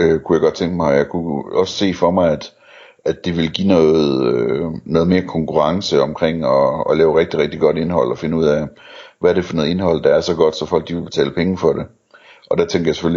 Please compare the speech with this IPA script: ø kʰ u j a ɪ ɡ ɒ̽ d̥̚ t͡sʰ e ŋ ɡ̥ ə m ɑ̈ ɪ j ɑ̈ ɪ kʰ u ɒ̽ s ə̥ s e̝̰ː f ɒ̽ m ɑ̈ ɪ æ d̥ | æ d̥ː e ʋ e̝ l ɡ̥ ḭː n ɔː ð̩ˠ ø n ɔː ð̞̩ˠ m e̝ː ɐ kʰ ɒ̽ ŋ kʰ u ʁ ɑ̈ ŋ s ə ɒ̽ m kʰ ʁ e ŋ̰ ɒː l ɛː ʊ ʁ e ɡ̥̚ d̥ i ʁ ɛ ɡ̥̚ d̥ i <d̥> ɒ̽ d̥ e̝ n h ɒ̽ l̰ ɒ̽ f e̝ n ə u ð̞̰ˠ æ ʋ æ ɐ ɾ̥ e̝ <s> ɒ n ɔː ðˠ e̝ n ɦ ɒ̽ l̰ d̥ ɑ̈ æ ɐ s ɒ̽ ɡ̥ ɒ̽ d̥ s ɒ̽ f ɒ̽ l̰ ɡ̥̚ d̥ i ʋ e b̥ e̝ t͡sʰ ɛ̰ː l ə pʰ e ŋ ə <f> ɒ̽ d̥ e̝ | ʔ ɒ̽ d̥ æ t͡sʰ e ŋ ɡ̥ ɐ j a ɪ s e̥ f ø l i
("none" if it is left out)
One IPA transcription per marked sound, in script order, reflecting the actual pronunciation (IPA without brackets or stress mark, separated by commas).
ɡ̥, f, f